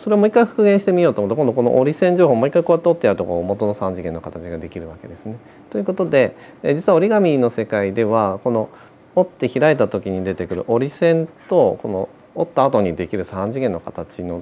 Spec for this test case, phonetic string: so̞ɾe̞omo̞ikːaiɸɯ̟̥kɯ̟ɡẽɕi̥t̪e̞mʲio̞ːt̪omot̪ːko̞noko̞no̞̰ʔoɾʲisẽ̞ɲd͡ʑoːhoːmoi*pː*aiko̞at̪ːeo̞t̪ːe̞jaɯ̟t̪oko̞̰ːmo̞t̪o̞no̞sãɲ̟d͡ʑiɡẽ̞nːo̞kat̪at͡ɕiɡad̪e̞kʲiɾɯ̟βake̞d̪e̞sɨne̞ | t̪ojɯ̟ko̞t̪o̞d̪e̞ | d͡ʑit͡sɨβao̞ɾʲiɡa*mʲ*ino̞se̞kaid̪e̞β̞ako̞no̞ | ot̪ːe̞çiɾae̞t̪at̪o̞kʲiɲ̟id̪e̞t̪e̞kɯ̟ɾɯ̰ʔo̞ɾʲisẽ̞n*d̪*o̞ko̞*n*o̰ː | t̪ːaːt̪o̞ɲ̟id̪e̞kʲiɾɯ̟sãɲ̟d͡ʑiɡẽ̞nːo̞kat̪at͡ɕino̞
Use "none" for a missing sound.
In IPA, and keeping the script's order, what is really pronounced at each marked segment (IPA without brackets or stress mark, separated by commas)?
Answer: kː, mʲ, t̪, n